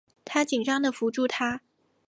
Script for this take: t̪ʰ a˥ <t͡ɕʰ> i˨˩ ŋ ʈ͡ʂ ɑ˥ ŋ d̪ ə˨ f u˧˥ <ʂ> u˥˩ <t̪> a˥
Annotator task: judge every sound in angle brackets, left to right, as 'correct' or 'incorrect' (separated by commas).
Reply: incorrect, incorrect, incorrect